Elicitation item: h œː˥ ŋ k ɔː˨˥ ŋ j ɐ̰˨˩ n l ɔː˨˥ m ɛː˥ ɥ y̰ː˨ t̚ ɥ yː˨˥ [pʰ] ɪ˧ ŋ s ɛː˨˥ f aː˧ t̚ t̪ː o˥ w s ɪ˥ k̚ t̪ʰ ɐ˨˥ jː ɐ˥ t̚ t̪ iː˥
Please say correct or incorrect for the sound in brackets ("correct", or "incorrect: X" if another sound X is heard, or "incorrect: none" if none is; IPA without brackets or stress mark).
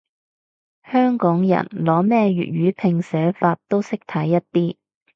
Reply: correct